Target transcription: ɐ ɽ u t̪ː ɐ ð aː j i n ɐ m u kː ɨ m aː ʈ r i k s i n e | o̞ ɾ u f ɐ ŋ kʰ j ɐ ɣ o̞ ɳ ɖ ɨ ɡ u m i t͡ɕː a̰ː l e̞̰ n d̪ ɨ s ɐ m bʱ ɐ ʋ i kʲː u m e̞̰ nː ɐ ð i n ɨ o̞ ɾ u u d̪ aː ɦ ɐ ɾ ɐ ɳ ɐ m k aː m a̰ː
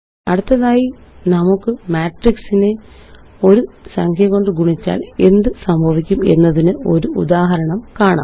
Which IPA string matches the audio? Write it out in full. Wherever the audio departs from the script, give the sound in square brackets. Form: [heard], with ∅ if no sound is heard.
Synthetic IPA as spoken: ɐ ɽ u t̪ː ɐ ð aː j i n ɐ m u kː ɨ m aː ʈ r i k s i n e | o̞ ɾ u [s] ɐ ŋ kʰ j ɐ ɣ o̞ ɳ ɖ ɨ ɡ u [ɳ] i t͡ɕː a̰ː l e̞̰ n d̪ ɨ s ɐ m bʱ ɐ ʋ i kʲː u m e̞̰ nː ɐ ð i n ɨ o̞ ɾ u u d̪ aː ɦ ɐ ɾ ɐ ɳ ɐ m k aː [ɳ] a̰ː